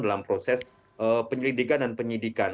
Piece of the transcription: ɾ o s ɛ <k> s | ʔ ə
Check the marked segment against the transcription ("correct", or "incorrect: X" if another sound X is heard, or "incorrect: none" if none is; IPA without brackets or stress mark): incorrect: none